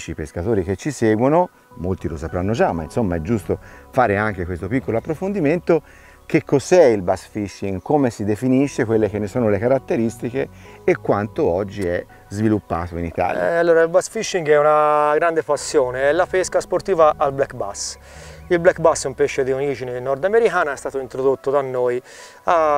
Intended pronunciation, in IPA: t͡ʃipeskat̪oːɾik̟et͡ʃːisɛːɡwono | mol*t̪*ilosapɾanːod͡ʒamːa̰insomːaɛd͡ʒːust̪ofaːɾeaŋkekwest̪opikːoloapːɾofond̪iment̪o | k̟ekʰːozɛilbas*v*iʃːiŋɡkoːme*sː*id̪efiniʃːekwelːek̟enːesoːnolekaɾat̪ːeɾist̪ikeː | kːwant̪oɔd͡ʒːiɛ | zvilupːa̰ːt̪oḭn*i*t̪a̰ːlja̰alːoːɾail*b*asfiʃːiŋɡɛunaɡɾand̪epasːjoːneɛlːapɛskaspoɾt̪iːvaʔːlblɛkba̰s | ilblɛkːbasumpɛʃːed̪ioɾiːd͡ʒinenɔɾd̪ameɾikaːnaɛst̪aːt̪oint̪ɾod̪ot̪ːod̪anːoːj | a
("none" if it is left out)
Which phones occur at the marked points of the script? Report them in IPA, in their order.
t̪, f, s, i, b

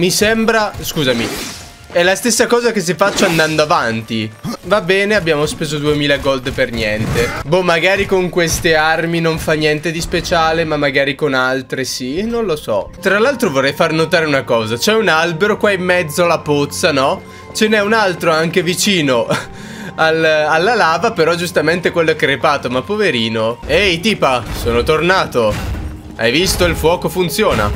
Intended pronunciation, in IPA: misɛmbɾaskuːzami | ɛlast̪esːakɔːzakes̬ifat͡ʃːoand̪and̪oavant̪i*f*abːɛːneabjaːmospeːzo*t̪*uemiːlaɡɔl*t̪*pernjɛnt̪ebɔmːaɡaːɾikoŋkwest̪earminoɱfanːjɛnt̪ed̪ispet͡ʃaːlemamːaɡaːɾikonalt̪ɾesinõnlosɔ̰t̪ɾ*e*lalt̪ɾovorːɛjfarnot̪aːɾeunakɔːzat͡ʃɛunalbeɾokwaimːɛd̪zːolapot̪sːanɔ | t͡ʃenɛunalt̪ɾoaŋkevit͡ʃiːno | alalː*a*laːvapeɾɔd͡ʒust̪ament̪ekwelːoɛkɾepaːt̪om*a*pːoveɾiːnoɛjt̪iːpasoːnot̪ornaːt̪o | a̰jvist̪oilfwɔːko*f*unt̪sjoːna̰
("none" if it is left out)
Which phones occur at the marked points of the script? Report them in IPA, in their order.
v, d̪, d̪, a, a, a, f

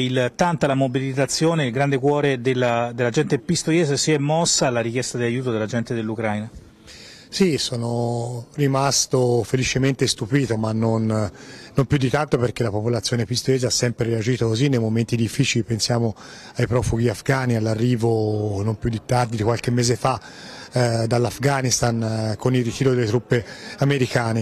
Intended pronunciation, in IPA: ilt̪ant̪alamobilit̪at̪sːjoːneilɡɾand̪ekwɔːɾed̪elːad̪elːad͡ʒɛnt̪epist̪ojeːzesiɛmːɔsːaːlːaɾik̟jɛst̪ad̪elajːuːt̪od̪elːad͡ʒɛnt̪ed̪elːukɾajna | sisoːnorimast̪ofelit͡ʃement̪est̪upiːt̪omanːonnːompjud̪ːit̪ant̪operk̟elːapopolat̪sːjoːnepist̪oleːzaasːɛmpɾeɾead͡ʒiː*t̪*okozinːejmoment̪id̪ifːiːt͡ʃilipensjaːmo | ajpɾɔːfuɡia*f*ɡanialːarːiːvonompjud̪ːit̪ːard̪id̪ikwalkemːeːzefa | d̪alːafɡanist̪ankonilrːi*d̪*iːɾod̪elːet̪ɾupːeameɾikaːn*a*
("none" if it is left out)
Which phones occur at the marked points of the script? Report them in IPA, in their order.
t̪, f, t̪, e

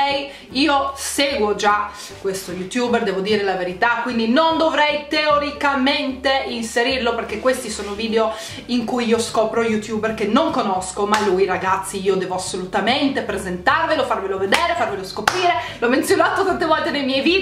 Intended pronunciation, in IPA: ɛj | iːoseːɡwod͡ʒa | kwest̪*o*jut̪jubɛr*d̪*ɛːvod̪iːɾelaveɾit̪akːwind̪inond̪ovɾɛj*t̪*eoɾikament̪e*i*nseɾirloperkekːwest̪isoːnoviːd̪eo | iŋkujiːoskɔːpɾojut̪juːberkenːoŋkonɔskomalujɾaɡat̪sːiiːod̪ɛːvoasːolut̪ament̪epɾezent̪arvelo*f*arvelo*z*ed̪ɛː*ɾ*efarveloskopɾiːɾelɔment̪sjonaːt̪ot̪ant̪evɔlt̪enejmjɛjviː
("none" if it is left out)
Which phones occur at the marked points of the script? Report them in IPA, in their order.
o, d̪, t̪, i, f, v, ɾ

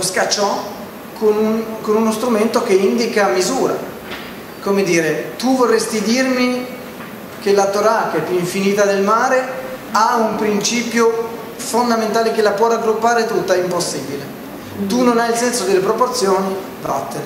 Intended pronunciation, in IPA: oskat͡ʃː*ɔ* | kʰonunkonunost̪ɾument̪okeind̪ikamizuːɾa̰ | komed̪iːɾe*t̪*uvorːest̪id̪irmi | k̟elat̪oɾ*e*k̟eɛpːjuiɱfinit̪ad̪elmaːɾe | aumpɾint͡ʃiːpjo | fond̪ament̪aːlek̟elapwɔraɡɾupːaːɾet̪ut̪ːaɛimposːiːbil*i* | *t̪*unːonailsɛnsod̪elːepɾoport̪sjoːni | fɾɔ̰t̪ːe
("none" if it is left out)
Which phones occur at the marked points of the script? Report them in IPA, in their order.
ɔ, t̪, a, e, t̪

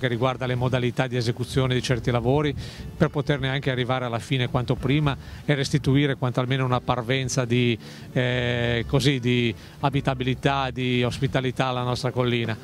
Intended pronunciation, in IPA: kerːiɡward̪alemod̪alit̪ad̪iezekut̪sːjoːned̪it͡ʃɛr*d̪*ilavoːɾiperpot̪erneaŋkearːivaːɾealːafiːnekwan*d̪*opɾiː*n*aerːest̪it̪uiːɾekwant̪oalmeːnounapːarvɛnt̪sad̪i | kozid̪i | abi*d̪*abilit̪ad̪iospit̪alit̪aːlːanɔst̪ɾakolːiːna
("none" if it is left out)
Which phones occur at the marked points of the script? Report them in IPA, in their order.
t̪, t̪, m, t̪

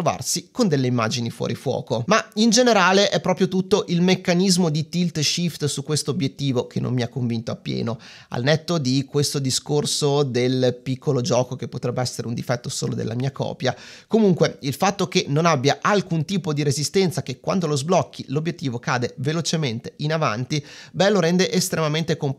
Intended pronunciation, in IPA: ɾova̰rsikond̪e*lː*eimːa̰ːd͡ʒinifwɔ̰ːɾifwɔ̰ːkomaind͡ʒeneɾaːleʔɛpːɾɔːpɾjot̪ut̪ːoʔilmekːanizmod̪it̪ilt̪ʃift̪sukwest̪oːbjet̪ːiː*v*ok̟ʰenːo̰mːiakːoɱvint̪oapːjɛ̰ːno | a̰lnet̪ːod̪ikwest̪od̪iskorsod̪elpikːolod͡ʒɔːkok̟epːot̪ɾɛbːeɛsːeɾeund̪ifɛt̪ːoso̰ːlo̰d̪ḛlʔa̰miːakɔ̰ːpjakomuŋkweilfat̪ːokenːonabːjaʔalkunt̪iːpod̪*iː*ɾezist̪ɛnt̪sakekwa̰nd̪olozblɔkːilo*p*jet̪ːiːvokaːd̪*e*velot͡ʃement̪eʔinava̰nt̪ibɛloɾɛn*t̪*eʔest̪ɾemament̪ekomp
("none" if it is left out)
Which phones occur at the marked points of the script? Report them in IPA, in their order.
lː, v, i, b, e, d̪

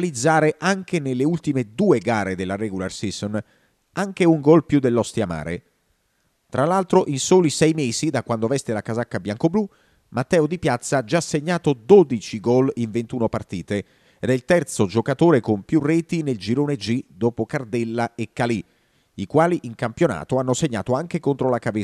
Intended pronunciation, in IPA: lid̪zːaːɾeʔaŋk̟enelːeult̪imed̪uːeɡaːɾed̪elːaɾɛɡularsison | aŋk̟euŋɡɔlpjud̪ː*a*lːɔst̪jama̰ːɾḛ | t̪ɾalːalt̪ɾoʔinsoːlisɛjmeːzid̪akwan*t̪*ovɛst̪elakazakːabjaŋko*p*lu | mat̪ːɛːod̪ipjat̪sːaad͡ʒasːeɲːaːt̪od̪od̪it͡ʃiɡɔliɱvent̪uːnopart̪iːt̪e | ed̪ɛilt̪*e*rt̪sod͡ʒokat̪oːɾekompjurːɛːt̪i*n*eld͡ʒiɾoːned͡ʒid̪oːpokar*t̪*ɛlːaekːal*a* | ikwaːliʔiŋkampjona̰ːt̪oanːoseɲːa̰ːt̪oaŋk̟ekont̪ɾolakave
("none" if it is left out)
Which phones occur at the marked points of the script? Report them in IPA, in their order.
e, d̪, b, ɛ, n, d̪, i

